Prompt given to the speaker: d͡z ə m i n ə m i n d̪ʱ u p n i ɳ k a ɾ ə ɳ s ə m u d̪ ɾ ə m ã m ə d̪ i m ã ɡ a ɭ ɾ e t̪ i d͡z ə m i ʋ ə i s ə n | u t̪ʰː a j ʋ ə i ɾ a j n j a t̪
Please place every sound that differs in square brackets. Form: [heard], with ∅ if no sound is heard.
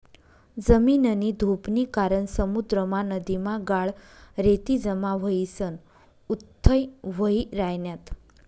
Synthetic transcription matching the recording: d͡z ə m i n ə [n] i [∅] d̪ʱ u p n i [∅] k a ɾ ə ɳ s ə m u d̪ ɾ ə m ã [n] ə d̪ i m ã ɡ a ɭ ɾ e t̪ i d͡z ə m [a] ʋ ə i s ə n | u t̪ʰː [ə] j ʋ ə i ɾ a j n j a t̪